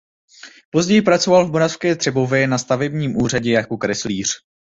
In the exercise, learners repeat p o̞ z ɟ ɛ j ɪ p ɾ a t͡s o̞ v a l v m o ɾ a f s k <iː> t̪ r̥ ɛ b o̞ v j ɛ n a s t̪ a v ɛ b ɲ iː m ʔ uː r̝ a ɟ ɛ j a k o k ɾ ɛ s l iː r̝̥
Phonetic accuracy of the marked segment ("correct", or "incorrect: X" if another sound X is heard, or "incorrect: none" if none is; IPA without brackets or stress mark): incorrect: ɛː